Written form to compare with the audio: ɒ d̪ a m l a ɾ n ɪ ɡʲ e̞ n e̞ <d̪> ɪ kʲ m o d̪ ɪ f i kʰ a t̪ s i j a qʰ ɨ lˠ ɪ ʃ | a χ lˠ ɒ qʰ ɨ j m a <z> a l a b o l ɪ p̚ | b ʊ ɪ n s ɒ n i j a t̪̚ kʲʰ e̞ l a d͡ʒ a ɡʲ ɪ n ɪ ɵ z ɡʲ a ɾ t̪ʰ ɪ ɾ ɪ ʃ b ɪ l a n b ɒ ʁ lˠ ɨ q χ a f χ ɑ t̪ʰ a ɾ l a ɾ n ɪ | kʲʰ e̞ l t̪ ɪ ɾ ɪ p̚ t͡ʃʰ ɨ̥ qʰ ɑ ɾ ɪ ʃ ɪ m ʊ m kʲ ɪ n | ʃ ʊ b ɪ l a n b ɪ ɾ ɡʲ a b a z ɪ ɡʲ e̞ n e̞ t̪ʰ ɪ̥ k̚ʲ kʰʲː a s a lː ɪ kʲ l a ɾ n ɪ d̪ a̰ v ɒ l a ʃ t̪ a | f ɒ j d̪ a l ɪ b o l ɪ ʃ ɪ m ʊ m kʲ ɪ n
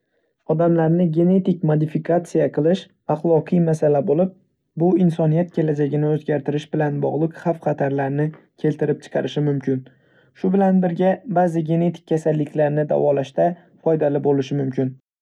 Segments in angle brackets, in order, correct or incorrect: incorrect, incorrect

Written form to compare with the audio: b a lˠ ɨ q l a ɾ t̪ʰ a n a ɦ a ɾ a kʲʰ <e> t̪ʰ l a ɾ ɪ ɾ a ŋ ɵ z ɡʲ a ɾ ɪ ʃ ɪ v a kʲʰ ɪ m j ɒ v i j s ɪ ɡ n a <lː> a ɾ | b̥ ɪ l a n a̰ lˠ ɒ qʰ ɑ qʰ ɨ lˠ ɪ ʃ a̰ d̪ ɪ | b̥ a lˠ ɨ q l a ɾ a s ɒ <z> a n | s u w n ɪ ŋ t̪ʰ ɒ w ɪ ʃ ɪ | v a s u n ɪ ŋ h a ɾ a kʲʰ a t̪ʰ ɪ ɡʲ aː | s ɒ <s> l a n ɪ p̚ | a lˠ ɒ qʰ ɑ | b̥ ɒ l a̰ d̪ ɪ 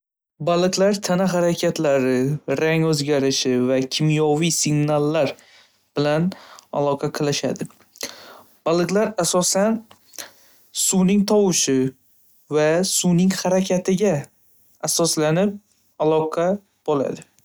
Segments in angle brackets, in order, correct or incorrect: incorrect, correct, incorrect, correct

